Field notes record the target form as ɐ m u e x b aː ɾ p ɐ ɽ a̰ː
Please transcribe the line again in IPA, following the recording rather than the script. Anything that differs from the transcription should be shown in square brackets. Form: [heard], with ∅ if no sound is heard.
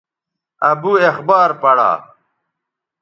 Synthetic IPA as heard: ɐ [b] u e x b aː ɾ p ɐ ɽ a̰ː